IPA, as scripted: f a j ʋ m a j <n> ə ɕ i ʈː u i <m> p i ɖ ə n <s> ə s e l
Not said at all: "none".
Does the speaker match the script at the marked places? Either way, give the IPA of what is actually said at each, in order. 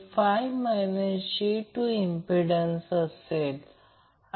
n, m, s

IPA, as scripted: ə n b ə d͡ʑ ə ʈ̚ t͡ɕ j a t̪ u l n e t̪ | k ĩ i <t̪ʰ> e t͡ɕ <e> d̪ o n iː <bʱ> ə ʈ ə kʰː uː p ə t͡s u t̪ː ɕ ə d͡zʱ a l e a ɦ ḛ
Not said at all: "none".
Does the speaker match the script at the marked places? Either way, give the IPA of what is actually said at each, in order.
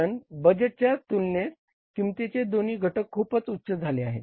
t̪, e, ɡʱ

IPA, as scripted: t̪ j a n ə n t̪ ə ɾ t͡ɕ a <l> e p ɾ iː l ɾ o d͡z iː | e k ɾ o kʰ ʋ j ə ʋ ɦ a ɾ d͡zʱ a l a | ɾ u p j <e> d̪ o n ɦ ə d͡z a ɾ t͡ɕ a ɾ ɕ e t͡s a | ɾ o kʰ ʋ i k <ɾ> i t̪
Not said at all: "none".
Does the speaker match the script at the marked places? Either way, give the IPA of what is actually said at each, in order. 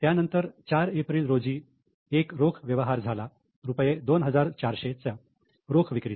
ɾ, e, ɾ

